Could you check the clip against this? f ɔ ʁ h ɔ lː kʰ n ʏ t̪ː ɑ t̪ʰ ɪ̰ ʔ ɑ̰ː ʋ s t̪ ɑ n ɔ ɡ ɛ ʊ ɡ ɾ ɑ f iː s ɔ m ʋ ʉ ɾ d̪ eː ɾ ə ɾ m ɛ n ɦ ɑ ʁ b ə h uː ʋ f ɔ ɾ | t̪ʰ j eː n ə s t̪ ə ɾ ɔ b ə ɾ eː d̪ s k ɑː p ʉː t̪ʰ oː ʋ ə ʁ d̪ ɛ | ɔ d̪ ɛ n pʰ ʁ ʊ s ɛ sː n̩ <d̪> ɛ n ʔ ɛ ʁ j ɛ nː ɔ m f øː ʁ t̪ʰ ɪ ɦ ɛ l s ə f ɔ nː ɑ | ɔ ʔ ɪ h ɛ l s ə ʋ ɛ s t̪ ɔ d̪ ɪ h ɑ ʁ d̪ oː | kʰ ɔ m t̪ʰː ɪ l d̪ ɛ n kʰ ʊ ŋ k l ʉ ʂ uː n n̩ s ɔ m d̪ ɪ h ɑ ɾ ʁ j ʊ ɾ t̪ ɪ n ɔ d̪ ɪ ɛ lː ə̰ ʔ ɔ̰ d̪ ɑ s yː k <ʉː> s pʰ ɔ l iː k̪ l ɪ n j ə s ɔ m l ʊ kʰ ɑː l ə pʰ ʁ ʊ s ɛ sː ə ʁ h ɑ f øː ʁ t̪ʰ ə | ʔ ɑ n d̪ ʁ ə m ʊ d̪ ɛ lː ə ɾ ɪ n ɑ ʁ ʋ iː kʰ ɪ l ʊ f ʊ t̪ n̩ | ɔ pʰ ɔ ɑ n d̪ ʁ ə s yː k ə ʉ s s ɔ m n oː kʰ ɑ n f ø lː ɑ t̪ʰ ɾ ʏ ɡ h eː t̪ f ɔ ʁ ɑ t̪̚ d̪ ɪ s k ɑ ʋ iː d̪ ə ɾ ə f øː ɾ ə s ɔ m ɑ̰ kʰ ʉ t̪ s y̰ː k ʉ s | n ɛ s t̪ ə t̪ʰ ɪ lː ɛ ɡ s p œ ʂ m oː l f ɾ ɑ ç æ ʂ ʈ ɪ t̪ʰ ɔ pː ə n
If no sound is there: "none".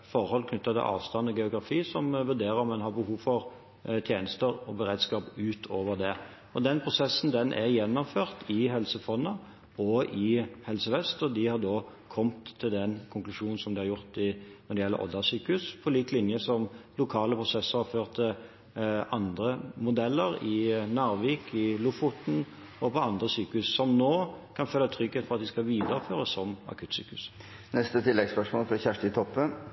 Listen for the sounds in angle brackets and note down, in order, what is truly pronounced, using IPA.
d̪, ʉ

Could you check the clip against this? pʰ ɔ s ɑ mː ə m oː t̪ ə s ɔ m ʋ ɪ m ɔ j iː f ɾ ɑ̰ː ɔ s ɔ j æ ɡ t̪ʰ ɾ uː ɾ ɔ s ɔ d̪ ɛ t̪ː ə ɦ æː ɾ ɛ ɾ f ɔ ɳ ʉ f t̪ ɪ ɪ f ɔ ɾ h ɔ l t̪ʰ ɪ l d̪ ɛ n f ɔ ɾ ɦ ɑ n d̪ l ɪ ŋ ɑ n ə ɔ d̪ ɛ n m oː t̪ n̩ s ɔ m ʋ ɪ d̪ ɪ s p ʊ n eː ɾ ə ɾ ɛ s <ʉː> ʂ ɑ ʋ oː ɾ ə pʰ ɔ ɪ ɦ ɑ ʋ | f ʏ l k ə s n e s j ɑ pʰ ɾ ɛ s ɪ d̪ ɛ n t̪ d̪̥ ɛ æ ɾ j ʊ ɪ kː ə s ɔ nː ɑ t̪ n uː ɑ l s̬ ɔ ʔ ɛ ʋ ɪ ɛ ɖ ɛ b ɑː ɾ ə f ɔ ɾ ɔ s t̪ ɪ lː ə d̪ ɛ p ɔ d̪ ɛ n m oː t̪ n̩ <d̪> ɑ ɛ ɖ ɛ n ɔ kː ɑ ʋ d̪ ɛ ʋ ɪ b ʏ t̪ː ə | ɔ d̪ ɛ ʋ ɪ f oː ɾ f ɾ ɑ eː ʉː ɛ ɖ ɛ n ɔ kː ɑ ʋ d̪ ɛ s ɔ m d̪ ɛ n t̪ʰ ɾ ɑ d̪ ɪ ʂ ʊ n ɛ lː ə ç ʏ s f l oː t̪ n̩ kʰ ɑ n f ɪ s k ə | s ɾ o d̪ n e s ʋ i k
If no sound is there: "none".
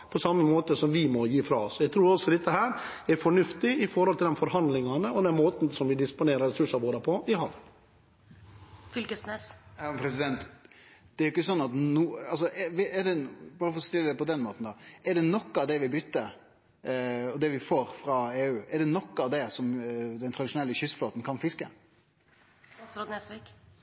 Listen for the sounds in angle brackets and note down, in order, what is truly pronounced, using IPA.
ʉ, d̪

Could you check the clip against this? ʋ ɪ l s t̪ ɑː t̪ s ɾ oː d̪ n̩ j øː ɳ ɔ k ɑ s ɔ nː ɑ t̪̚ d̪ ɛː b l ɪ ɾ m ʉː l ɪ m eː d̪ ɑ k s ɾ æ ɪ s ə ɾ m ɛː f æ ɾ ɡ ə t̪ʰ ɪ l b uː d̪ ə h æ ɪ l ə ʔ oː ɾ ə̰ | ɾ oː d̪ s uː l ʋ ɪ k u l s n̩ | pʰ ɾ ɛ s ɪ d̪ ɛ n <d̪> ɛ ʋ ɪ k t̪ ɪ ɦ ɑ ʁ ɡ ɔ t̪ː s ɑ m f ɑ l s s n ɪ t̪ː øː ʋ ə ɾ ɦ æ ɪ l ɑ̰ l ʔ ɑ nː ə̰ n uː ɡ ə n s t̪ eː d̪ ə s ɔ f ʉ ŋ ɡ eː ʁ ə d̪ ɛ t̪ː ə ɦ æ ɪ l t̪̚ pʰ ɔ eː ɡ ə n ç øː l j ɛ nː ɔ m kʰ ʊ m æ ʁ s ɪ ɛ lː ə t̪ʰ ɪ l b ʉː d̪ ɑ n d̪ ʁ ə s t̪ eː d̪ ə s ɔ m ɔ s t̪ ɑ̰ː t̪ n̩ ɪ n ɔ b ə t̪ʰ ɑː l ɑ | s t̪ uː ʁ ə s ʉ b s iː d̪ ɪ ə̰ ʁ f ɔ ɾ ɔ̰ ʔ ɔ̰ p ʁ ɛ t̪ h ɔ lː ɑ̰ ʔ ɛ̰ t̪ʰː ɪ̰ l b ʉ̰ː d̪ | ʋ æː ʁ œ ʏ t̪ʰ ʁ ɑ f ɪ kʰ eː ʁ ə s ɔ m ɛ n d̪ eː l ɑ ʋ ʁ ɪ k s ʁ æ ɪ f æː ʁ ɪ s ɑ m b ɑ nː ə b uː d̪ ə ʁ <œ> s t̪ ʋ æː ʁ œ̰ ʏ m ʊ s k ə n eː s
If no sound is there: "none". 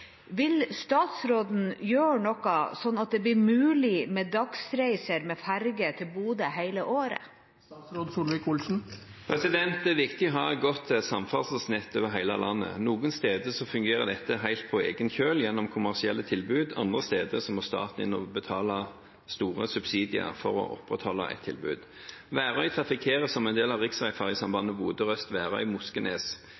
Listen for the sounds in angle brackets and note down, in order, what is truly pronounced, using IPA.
t̪, œ

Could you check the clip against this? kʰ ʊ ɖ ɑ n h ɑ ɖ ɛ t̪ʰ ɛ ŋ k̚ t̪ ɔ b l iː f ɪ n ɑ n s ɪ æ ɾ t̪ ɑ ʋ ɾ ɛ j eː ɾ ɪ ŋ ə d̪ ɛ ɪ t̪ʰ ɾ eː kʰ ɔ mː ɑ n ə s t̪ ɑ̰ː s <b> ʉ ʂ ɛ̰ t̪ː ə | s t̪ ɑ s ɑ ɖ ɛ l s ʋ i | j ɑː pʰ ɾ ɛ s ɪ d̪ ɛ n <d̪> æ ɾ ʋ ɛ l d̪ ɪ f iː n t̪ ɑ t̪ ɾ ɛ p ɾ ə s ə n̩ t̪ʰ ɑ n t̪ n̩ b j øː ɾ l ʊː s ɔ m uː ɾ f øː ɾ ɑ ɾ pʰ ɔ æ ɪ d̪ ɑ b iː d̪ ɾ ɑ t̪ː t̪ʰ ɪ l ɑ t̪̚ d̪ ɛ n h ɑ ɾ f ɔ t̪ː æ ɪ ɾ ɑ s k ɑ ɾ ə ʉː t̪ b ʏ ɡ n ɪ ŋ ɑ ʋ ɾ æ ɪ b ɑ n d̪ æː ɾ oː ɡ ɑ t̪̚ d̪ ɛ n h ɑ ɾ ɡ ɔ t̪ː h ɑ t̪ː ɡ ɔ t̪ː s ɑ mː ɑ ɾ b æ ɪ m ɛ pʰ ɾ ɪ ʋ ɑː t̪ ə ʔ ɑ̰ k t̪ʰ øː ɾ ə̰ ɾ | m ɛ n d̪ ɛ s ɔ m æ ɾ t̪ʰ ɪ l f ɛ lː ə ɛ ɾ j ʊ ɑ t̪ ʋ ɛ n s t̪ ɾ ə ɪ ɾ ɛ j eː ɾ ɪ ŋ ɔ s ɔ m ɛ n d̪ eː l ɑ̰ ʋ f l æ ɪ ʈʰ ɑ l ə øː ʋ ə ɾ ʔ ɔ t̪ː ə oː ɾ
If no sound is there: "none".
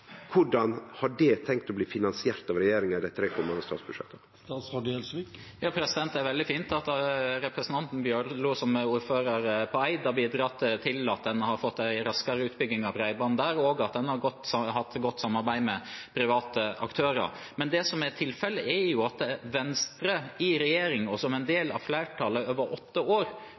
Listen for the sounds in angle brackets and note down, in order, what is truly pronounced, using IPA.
b, t̪

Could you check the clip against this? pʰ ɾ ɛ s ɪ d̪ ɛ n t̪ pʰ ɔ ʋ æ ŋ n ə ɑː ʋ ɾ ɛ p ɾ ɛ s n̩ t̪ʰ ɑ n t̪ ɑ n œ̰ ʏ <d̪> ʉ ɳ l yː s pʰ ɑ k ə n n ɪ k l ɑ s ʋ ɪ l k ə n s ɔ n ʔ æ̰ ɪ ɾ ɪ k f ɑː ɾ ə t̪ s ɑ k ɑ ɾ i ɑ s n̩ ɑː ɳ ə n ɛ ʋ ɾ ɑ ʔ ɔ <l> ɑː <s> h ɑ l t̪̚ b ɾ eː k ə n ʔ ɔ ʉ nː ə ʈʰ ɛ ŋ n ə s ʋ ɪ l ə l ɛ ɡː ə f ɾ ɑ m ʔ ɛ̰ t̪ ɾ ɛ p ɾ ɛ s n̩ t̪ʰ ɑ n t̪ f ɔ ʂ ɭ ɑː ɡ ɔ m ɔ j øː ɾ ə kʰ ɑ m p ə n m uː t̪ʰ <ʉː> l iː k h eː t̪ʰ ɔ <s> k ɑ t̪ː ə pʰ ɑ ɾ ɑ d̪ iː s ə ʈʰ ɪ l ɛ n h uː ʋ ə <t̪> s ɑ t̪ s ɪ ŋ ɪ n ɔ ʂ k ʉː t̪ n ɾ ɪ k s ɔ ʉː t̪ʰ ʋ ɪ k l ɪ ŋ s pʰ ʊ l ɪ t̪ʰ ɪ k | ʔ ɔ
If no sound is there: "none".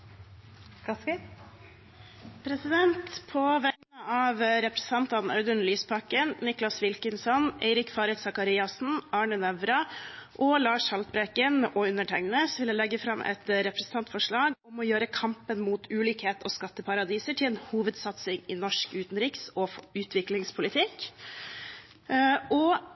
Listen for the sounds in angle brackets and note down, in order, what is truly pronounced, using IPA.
d̪, l, ʂ, ʉː, s, d̪

